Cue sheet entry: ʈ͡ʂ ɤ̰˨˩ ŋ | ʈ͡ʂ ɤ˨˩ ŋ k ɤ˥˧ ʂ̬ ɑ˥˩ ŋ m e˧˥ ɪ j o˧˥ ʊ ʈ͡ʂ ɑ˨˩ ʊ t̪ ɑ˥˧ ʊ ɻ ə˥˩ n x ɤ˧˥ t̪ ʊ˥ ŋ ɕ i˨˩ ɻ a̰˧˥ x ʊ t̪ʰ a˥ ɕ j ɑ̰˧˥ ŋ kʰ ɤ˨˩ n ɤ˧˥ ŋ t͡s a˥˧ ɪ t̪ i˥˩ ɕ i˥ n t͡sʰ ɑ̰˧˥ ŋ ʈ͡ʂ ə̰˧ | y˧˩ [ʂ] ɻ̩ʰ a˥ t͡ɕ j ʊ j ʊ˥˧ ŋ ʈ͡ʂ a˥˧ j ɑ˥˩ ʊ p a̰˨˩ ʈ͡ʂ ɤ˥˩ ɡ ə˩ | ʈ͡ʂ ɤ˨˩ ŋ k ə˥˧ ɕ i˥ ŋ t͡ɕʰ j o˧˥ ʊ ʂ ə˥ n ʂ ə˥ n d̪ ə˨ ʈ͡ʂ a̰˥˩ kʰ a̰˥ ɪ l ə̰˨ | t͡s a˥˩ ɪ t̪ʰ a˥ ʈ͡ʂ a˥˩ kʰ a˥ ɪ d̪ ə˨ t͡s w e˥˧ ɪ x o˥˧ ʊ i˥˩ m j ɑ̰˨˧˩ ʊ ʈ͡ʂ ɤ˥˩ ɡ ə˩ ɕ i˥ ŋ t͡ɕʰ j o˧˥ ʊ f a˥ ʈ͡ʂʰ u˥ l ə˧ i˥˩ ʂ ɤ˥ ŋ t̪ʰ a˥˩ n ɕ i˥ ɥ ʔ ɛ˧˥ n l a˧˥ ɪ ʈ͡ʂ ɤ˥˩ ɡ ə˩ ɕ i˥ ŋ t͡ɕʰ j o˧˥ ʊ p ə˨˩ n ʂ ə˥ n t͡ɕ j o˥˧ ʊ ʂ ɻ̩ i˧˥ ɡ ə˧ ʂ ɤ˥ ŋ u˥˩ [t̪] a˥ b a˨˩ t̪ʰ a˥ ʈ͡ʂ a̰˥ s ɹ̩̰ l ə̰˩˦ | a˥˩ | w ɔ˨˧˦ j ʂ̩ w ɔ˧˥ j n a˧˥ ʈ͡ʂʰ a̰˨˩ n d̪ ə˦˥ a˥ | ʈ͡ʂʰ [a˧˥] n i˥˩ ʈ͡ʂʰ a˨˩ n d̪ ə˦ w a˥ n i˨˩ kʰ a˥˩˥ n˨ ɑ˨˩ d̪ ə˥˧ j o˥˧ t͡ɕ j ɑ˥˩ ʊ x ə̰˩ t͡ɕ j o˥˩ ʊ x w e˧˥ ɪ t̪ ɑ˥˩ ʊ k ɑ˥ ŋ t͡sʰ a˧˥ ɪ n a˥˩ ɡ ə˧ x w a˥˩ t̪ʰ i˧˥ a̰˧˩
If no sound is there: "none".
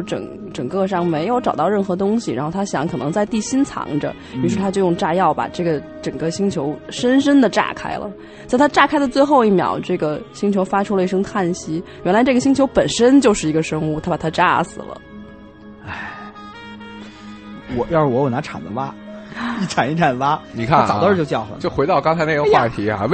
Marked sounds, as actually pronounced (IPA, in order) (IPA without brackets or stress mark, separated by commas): ʂ, t̪ʰ, a˨˩